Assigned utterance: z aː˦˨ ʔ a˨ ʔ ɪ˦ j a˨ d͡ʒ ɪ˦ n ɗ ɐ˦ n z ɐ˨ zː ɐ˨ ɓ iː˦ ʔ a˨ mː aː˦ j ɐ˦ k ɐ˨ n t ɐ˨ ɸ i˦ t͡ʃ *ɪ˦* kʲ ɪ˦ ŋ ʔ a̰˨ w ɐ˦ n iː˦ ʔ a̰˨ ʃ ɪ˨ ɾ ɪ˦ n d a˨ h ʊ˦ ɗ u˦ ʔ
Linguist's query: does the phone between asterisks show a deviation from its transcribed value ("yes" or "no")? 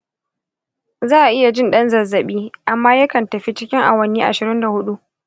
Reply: no